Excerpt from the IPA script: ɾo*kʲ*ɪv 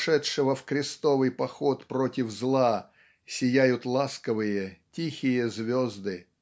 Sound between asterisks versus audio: incorrect: tʲ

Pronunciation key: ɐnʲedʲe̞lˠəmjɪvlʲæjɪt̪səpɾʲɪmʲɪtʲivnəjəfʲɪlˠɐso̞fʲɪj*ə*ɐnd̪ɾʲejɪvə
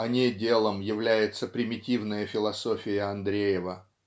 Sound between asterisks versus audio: correct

